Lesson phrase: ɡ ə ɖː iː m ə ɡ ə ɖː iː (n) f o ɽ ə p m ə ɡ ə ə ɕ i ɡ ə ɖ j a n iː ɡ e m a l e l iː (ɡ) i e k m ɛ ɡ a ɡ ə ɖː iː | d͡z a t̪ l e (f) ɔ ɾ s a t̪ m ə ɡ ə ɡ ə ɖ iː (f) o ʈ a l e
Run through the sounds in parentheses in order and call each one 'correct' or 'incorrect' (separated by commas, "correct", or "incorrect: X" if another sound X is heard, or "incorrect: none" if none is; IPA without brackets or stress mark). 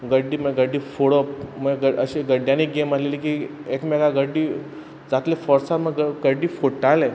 incorrect: none, incorrect: k, correct, correct